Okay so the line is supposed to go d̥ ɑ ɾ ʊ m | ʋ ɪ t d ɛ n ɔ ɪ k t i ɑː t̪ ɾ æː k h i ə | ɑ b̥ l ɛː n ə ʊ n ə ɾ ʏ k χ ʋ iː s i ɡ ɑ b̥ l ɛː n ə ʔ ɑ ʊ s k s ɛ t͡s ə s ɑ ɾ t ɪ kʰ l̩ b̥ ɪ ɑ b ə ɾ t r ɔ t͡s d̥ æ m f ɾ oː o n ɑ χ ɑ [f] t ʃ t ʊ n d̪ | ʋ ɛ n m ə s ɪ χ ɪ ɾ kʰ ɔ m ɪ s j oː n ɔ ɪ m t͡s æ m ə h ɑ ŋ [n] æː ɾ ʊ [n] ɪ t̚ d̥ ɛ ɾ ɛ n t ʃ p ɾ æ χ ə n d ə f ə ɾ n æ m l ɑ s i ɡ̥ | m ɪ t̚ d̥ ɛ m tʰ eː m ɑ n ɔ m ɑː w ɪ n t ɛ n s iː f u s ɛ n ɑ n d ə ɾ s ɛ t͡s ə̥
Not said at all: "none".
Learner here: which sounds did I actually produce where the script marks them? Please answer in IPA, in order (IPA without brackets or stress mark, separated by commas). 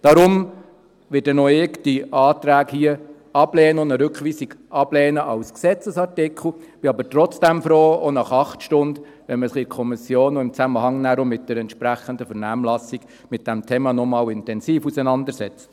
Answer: χ, n, m